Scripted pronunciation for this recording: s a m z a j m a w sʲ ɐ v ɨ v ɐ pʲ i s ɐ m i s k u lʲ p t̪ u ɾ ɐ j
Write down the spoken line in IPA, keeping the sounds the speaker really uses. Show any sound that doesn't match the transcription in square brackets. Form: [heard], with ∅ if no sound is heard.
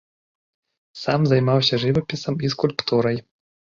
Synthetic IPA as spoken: s a m z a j m a w sʲ ɐ [ʐ] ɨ v ɐ pʲ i s ɐ m i s k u lʲ p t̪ u ɾ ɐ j